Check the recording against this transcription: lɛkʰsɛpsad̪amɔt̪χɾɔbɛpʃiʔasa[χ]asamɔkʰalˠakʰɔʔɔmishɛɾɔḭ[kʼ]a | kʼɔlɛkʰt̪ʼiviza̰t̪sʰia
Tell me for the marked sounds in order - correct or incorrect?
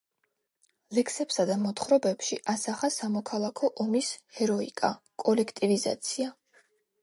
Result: correct, correct

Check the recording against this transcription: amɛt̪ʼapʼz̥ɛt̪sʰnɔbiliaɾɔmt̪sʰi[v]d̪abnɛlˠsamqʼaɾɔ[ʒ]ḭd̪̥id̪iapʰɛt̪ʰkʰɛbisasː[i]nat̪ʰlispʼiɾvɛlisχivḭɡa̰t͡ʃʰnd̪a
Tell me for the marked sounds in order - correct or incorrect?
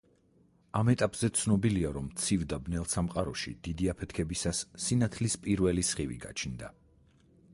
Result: correct, incorrect, correct

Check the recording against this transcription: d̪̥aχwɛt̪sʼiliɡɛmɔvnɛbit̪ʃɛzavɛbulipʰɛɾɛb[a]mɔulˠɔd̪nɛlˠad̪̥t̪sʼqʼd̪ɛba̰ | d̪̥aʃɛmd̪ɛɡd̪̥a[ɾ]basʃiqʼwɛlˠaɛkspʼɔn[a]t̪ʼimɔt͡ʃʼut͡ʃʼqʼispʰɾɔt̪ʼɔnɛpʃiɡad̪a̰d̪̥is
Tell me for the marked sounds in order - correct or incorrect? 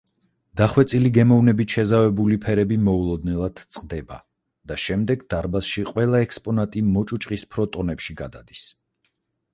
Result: incorrect, correct, correct

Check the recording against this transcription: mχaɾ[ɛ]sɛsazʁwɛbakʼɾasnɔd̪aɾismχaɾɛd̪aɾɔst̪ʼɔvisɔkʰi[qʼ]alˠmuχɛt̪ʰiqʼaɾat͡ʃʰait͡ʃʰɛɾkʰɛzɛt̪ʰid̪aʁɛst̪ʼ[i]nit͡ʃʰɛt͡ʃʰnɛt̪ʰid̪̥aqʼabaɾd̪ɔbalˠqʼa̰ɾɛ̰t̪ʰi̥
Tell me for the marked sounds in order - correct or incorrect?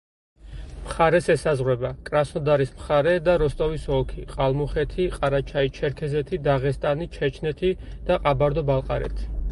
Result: correct, correct, incorrect

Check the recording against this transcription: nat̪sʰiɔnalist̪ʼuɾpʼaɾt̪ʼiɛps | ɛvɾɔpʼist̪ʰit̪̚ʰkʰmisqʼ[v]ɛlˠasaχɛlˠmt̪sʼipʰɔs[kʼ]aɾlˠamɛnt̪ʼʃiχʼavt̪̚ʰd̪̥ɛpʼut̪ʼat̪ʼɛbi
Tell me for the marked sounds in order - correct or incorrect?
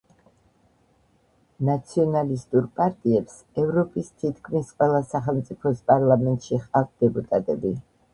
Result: incorrect, incorrect

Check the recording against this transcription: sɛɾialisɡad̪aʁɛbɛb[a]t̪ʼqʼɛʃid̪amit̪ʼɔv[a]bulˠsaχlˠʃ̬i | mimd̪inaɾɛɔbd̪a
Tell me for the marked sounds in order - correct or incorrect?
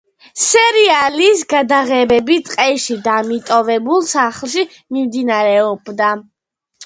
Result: incorrect, incorrect

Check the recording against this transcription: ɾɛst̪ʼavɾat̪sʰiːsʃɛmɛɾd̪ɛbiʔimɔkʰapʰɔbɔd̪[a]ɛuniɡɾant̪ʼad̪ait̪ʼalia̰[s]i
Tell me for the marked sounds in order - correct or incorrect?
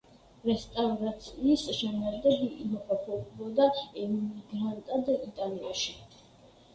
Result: correct, incorrect

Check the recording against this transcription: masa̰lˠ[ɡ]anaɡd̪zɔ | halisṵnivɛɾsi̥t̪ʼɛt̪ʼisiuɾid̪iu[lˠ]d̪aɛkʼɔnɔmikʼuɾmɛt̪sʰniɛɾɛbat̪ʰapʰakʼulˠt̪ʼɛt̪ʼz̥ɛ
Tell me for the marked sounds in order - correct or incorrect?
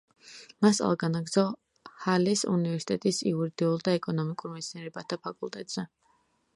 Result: correct, correct

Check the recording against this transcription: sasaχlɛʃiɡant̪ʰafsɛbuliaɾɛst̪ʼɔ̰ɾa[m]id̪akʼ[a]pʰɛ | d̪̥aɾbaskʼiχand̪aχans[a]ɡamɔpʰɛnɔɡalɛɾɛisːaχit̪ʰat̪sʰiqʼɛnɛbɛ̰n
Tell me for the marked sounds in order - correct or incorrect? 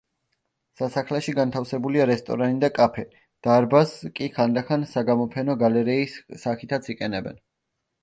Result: incorrect, correct, correct

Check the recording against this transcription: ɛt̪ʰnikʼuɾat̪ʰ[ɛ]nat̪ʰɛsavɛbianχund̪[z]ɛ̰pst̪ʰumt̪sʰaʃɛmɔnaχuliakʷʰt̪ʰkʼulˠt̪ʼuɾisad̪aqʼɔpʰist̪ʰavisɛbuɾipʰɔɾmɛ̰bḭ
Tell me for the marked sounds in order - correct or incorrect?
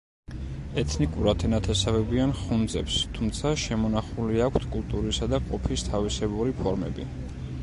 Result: correct, correct

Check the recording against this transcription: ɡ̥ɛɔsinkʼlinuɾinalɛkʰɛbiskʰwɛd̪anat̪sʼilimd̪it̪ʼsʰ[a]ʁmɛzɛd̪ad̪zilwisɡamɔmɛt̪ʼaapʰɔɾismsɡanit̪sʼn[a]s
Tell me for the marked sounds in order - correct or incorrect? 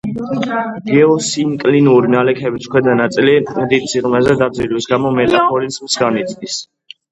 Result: incorrect, incorrect

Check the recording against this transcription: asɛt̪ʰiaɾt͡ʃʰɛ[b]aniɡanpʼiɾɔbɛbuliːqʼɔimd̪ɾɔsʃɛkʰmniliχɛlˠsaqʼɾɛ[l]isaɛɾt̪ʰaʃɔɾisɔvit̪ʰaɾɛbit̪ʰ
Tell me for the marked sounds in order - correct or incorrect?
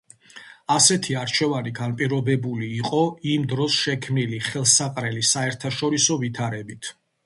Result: incorrect, correct

